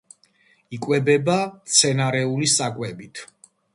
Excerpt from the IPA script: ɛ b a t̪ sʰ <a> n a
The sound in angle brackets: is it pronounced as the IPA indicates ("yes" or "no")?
no